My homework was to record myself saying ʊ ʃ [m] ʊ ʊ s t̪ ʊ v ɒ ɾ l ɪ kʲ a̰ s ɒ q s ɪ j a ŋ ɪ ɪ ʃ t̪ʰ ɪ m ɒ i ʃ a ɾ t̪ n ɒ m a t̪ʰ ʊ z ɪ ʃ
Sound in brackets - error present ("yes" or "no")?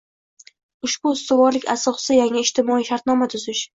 yes